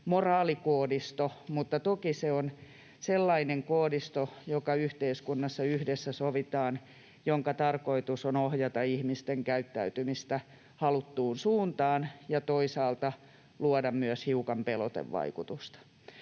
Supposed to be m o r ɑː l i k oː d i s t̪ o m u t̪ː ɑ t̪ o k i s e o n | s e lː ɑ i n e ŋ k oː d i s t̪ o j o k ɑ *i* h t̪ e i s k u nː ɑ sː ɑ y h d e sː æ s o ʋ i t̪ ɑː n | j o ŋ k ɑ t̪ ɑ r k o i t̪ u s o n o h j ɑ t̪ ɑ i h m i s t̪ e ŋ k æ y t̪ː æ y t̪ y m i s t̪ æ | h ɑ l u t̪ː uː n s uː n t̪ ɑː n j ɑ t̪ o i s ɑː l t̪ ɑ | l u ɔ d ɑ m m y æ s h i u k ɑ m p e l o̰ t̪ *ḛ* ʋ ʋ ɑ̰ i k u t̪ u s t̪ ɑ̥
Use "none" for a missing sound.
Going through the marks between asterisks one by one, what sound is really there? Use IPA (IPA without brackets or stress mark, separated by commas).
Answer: y, ḛ